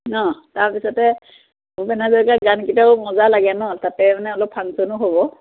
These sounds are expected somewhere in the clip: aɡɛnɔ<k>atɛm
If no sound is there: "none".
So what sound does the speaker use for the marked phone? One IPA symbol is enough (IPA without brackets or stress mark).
t